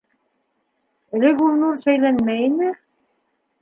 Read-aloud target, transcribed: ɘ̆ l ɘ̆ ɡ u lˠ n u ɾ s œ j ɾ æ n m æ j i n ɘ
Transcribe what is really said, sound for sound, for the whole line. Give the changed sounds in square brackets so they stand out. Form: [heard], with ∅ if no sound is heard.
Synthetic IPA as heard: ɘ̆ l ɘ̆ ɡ u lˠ n u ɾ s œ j [l] æ n m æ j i n ɘ

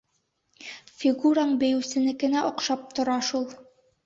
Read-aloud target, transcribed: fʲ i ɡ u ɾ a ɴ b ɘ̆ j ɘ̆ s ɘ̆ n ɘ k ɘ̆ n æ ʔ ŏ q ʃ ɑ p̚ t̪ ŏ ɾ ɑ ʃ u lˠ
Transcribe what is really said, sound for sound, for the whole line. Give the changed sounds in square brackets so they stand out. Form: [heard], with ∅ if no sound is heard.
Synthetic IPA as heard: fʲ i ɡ u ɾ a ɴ b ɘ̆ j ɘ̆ s ɘ̆ n ɘ k ɘ̆ n æ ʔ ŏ q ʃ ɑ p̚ t̪ ŏ ɾ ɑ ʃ u lˠ

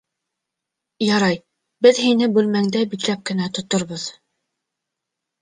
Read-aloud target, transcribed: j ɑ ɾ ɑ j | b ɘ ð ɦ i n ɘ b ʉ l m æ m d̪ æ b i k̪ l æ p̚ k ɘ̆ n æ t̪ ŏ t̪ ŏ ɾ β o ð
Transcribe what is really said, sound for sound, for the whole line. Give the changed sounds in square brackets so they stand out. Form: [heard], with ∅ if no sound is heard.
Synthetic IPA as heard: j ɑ ɾ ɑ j | b ɘ ð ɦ i n ɘ b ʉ l m æ [ŋ] d̪ æ b i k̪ l æ p̚ k ɘ̆ n æ t̪ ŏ t̪ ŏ ɾ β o ð

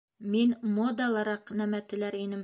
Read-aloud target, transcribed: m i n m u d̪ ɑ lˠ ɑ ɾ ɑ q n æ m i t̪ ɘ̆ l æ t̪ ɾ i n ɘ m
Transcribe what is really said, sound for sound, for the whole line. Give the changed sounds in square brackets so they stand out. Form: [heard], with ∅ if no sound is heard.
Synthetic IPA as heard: m i n m [o] d̪ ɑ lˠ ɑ ɾ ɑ q n æ m [æ] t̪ ɘ̆ l æ [∅] ɾ i n ɘ m

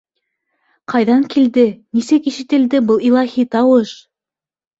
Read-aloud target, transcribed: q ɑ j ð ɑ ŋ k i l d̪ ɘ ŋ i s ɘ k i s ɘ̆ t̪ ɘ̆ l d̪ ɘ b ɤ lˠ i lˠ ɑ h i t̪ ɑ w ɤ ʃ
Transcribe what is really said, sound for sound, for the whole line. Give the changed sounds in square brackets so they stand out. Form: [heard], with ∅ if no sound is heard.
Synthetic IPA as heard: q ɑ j ð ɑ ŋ k i l d̪ ɘ [n] i s ɘ k i [ʃ] ɘ̆ t̪ ɘ̆ l d̪ ɘ b ɤ lˠ i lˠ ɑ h i t̪ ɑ w ɤ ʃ

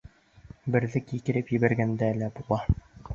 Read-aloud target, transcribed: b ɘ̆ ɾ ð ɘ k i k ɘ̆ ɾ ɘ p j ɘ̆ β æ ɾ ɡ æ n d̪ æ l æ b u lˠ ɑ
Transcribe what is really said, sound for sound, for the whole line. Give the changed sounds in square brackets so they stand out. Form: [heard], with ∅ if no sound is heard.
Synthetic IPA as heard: b ɘ̆ ɾ ð ɘ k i k ɘ̆ ɾ ɘ p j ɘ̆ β æ ɾ ɡ æ n d̪ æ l æ b u lˠ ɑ

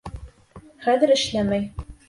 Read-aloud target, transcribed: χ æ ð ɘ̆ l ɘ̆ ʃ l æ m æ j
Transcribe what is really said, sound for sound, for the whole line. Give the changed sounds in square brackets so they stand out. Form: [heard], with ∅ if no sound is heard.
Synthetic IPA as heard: χ æ ð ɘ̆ [ɾ] ɘ̆ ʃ l æ m æ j

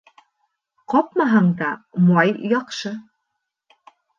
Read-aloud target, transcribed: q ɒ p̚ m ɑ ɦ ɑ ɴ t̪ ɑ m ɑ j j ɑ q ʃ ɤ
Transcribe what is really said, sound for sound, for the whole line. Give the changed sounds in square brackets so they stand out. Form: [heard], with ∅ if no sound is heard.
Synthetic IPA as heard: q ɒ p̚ m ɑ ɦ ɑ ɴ [d̪] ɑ m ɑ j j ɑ q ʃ ɤ

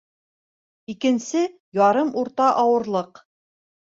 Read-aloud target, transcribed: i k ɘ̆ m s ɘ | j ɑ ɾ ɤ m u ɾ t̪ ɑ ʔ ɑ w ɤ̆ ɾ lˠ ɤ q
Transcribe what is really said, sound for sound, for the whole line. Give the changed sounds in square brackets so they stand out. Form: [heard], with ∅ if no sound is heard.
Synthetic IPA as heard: i k ɘ̆ [n] s ɘ | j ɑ ɾ ɤ m u ɾ t̪ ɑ ʔ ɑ w ɤ̆ ɾ lˠ ɤ q

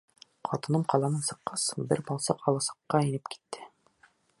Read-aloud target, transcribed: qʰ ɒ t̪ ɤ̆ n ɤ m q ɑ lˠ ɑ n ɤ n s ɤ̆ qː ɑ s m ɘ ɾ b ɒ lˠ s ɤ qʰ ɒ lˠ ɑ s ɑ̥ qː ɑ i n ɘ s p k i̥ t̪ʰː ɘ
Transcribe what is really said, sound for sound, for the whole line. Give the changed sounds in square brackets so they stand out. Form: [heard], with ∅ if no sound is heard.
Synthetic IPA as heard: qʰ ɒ t̪ ɤ̆ n ɤ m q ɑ lˠ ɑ n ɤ n s ɤ̆ qː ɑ s [b] ɘ ɾ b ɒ lˠ s ɤ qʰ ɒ lˠ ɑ s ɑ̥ qː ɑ i n ɘ [∅] p k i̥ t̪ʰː ɘ

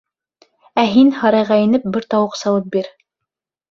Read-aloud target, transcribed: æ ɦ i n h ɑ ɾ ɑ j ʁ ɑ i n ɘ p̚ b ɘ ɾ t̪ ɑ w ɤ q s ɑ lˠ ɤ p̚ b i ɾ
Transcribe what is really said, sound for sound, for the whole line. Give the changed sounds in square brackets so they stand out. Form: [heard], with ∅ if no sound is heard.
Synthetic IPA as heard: æ ɦ i n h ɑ ɾ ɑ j ʁ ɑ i n ɘ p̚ b ɘ ɾ t̪ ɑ w ɤ q s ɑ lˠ ɤ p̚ b i ɾ

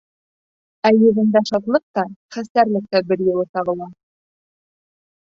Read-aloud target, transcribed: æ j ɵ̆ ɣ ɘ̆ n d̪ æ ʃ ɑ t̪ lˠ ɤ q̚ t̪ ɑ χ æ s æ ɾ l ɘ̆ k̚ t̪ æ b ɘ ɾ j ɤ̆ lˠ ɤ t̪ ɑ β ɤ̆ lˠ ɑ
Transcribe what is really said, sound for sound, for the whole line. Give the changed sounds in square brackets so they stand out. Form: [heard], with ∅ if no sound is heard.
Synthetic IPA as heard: æ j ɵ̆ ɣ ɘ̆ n d̪ æ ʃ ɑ t̪ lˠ ɤ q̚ t̪ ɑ χ æ s æ ɾ l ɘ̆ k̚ t̪ æ b ɘ ɾ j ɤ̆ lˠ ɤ t̪ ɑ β ɤ̆ lˠ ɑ

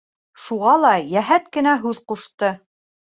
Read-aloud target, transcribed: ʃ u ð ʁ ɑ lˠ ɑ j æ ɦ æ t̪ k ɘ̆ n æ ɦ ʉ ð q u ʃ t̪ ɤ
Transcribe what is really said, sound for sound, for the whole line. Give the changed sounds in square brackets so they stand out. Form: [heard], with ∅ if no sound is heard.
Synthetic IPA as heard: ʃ u [∅] ʁ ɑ lˠ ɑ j æ ɦ æ t̪ k ɘ̆ n æ ɦ ʉ ð q u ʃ t̪ ɤ

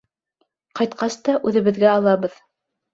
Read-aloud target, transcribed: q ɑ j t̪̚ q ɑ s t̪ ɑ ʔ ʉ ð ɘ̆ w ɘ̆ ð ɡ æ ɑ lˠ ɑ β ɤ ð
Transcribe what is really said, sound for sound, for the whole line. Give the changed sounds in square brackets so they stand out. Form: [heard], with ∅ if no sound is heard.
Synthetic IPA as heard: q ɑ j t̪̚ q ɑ s t̪ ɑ ʔ ʉ ð ɘ̆ [β] ɘ̆ ð ɡ æ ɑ lˠ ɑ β ɤ ð

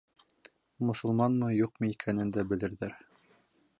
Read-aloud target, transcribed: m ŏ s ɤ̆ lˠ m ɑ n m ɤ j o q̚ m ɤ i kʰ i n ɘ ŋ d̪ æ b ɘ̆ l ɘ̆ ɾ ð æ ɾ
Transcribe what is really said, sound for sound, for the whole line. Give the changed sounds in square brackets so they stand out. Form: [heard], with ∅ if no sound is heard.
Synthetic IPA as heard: m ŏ s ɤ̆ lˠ m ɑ n m ɤ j [u] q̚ m ɤ i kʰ [æ] n ɘ [n] d̪ æ b ɘ̆ l ɘ̆ ɾ ð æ ɾ

